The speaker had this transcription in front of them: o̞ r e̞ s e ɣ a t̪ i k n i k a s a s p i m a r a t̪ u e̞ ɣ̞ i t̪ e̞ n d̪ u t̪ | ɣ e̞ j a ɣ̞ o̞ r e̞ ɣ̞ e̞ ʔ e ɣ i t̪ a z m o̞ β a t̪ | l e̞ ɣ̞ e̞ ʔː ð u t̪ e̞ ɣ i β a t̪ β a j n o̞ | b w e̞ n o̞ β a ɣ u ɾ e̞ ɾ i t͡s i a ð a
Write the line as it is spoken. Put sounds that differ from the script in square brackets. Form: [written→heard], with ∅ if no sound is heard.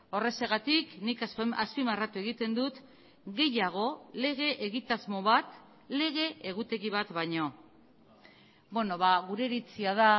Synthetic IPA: o̞ r e̞ s e ɣ a t̪ i k n i k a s a s p i m a r a t̪ u e̞ ɣ̞ i t̪ e̞ n d̪ u t̪ | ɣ e̞ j a ɣ̞ o̞ [r→l] e̞ ɣ̞ e̞ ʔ e ɣ i t̪ a z m o̞ β a t̪ | l e̞ ɣ̞ e̞ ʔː [ð→ɣ] u t̪ e̞ ɣ i β a t̪ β a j [n→ɲ] o̞ | b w e̞ n o̞ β a ɣ u ɾ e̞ ɾ i t͡s i a ð a